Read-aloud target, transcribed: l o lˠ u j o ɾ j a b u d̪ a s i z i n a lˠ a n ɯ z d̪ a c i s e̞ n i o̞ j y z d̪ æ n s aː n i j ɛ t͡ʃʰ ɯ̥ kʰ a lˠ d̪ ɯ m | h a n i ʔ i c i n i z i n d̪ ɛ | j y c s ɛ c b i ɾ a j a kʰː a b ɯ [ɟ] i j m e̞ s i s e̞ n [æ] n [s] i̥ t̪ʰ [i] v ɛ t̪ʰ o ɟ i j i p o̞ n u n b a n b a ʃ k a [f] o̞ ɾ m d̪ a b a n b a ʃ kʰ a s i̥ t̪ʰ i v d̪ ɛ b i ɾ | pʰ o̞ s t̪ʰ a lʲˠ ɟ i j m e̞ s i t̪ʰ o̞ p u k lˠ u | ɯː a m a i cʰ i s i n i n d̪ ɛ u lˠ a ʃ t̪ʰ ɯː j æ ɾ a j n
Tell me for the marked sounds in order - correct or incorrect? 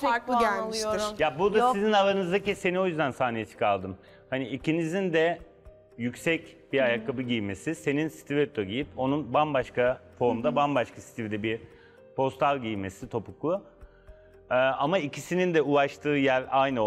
correct, incorrect, correct, correct, correct

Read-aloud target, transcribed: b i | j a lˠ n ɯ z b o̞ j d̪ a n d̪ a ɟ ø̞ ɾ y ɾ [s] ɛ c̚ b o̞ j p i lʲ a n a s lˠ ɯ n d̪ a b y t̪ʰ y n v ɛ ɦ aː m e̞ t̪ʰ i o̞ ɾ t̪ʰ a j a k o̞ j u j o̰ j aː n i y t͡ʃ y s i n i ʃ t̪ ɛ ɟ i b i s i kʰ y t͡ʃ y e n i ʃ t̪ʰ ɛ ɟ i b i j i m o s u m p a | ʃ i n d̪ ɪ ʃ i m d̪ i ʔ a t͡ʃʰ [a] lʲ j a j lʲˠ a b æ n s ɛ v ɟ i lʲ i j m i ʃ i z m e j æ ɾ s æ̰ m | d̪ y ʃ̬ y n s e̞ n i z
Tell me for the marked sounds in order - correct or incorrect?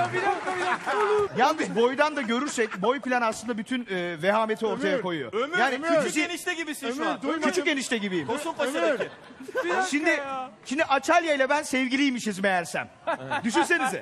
correct, correct

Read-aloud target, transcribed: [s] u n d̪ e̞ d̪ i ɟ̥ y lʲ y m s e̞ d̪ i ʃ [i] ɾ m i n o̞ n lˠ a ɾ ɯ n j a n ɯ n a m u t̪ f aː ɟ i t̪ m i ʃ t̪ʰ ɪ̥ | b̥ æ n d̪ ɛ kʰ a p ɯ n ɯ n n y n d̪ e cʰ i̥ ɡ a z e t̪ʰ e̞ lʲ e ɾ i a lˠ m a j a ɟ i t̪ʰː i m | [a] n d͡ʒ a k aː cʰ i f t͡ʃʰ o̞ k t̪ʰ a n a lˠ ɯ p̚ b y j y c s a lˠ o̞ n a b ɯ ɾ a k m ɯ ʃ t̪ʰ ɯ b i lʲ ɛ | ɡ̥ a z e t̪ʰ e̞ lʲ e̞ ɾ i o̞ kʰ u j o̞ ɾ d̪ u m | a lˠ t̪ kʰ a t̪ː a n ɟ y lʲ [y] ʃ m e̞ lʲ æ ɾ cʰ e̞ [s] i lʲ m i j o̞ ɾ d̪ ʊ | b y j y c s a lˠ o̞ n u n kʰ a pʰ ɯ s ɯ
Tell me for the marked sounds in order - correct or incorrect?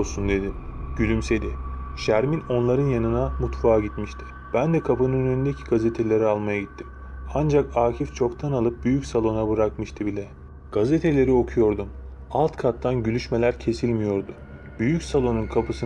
correct, incorrect, correct, correct, correct

